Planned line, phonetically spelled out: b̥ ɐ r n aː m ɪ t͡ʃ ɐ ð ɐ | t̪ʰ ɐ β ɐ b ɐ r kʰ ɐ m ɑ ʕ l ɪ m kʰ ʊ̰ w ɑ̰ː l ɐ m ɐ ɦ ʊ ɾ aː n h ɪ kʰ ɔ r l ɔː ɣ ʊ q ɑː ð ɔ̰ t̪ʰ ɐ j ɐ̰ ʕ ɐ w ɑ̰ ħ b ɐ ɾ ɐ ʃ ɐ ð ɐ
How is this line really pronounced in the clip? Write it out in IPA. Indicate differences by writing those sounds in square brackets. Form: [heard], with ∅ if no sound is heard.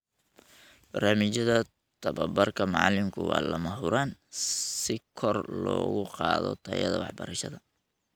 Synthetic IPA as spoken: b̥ ɐ r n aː m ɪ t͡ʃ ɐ ð ɐ | t̪ʰ ɐ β ɐ b ɐ r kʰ ɐ m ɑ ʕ l ɪ m kʰ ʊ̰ w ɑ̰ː l ɐ m ɐ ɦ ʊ ɾ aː n [s] ɪ kʰ ɔ r l ɔː ɣ ʊ q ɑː ð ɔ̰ t̪ʰ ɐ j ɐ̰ [ð] ɐ w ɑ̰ ħ b ɐ ɾ ɐ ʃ ɐ ð ɐ